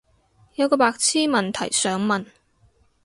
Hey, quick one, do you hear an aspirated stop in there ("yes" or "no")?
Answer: yes